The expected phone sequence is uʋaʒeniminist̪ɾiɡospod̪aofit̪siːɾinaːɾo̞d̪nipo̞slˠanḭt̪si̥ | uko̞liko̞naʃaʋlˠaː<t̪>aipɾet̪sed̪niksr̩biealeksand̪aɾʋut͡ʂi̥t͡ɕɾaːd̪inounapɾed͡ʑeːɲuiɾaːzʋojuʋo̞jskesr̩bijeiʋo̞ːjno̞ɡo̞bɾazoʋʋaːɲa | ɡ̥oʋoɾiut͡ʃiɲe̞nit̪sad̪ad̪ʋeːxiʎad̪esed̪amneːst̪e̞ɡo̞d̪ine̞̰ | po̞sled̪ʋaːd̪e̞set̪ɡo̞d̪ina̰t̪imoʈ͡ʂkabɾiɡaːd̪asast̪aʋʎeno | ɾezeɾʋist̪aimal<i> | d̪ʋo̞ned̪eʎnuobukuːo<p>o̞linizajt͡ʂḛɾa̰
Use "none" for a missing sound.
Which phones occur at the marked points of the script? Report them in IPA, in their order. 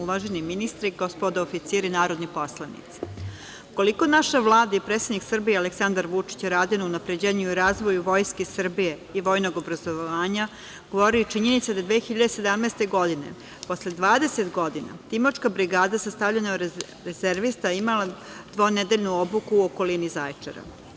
d̪, a, k

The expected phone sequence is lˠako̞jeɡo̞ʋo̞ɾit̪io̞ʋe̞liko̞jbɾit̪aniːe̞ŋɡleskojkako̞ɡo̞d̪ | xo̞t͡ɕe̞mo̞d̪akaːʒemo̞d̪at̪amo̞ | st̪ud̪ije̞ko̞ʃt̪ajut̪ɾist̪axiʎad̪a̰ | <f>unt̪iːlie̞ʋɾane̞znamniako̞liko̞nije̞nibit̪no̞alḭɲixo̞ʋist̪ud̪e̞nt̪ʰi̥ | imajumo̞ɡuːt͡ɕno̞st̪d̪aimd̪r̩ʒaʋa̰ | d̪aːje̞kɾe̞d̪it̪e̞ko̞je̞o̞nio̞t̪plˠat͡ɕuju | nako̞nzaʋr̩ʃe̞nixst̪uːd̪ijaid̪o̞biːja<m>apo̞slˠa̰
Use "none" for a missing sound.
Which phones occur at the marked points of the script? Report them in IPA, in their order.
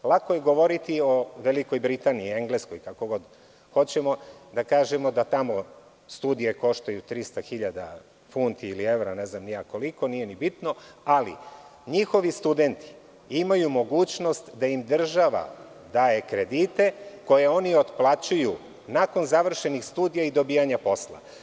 f, ɲ

